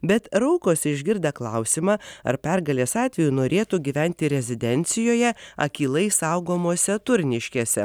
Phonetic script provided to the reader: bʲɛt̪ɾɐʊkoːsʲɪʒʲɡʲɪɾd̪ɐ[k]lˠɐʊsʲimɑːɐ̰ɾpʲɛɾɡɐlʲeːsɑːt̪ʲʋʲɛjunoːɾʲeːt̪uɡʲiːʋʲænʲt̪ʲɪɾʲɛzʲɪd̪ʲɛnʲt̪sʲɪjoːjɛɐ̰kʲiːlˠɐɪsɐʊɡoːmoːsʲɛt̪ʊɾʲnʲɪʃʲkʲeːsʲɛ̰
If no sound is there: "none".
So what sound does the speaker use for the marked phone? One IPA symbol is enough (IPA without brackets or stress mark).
k